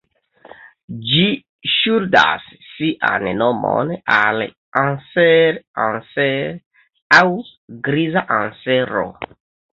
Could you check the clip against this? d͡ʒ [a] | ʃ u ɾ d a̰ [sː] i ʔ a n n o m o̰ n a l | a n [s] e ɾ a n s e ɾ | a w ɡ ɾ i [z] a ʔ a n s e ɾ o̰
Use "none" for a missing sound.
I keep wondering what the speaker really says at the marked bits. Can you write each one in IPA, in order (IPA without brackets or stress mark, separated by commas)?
i, sː, s, z